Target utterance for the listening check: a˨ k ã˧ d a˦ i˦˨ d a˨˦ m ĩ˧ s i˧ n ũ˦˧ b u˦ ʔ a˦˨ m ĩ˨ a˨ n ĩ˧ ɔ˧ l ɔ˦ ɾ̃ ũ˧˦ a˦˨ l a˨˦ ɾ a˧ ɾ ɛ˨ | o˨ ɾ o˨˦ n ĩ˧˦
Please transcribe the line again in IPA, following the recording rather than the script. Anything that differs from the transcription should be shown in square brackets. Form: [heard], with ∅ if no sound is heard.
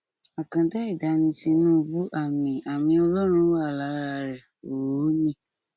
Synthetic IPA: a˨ k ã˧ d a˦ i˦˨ d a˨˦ [n] ĩ˧ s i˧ n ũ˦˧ b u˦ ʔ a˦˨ m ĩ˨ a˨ [m] ĩ˧ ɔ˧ l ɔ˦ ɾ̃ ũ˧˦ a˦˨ l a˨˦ ɾ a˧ ɾ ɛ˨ | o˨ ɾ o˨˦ n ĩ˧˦